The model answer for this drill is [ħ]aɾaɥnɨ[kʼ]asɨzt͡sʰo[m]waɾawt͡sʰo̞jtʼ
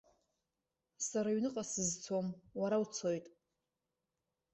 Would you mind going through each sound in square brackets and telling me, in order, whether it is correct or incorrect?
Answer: incorrect: s, incorrect: qʼ, correct

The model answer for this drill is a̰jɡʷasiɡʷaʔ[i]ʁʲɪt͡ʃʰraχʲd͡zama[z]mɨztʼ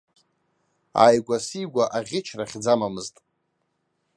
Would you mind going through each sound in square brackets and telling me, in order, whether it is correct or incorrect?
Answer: incorrect: a, incorrect: none

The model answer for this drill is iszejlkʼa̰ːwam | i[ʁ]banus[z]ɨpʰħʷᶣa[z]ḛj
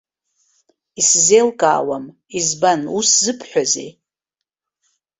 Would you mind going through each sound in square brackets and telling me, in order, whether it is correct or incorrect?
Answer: incorrect: z, correct, correct

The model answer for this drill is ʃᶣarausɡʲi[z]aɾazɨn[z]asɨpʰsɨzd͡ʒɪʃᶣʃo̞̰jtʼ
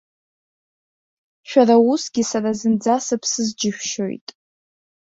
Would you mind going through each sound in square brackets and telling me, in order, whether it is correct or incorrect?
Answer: incorrect: s, incorrect: d͡z

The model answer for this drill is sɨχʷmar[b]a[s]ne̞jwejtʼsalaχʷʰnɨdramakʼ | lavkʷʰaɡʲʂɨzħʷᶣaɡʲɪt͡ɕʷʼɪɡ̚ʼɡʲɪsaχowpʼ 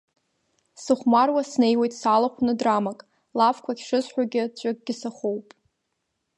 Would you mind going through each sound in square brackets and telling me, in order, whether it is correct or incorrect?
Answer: incorrect: w, correct

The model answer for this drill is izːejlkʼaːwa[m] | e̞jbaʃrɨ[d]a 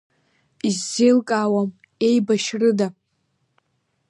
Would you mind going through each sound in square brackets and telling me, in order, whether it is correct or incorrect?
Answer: correct, correct

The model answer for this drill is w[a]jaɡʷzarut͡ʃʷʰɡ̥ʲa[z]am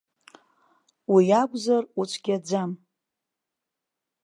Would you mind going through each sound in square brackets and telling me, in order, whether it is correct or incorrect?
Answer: incorrect: i, incorrect: d͡z

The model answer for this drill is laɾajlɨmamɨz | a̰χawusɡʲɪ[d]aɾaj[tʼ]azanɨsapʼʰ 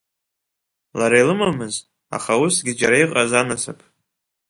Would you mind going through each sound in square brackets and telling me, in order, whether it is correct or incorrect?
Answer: incorrect: d͡ʒ, incorrect: qʼ

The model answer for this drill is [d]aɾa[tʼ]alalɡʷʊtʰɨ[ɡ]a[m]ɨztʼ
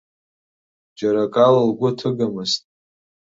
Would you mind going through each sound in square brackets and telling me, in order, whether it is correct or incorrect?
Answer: incorrect: d͡ʒ, incorrect: kʼ, correct, correct

